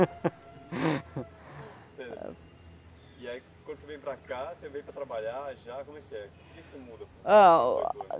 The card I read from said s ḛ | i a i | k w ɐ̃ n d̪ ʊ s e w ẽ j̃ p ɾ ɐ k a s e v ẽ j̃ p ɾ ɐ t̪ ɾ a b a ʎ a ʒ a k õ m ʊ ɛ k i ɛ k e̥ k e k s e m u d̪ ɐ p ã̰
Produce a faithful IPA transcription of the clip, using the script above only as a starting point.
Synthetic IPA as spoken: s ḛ | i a i | k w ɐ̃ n d̪ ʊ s e v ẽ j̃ p ɾ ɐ k a s e v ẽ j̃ p ɾ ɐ t̪ ɾ a b a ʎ a ʒ a k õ m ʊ ɛ k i ɛ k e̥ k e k s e m u d̪ ɐ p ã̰